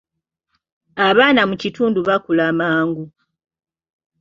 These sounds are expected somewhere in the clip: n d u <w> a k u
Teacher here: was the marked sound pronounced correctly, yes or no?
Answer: no